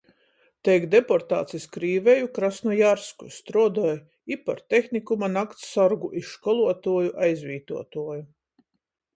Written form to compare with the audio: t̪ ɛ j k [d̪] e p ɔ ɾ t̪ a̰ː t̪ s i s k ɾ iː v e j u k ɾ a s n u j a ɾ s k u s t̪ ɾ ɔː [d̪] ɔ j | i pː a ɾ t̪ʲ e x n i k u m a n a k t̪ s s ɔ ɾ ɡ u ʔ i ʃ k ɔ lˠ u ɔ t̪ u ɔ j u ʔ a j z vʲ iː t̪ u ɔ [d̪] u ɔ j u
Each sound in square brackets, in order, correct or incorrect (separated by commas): correct, correct, incorrect